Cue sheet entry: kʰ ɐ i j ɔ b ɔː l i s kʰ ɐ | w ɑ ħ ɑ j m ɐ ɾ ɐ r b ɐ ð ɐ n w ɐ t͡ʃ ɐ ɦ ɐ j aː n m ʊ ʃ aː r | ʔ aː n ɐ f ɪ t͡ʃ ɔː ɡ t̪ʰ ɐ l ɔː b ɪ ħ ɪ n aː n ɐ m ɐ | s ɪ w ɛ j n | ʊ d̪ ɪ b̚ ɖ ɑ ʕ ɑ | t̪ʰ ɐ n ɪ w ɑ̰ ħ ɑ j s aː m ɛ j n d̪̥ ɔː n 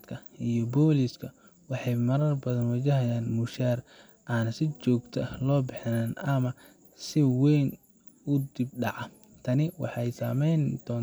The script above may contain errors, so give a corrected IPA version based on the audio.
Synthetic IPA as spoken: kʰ ɐ i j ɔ b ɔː l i s kʰ ɐ | w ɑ ħ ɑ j m ɐ ɾ ɐ r b ɐ ð ɐ n w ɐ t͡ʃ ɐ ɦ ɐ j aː n m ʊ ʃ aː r | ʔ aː n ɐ s ɪ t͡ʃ ɔː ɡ t̪ʰ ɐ l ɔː b ɪ ħ ɪ n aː n ɐ m ɐ | s ɪ w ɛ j n | ʊ d̪ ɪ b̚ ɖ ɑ ʕ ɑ | t̪ʰ ɐ n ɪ w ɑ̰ ħ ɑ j s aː m ɛ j n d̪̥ ɔː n